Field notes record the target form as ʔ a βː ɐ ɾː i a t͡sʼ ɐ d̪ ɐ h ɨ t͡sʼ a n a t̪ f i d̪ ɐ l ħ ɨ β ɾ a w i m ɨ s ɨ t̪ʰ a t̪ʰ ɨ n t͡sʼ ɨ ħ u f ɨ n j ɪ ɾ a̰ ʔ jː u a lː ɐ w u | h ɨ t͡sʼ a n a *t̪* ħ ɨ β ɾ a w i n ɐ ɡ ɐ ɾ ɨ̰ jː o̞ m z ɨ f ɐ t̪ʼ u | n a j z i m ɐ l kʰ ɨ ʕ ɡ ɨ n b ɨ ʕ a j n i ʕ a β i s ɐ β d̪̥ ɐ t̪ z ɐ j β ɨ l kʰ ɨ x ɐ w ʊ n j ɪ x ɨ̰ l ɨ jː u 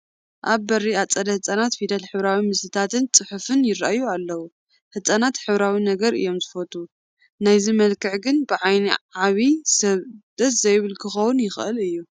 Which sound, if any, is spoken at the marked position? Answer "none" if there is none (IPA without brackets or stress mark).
t̪